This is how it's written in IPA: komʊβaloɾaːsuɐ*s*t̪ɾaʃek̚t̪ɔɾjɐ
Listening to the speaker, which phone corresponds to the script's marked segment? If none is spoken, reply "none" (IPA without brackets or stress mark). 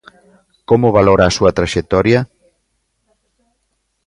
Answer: none